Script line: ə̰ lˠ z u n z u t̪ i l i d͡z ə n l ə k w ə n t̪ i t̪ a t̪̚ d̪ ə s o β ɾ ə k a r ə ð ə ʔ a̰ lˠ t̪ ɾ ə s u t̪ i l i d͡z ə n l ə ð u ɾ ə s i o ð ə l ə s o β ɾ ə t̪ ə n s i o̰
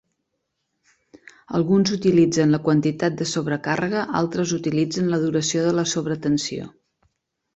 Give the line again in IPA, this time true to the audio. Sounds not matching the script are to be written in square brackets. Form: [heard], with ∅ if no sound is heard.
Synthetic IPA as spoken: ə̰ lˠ [ɣ] u n z u t̪ i l i d͡z ə n l ə k w ə n t̪ i t̪ a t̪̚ d̪ ə s o β ɾ ə k a r ə [ɣ] ə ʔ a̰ lˠ t̪ ɾ ə [z] u t̪ i l i d͡z ə n l ə ð u ɾ ə s i o ð ə l ə s o β ɾ ə t̪ ə n s i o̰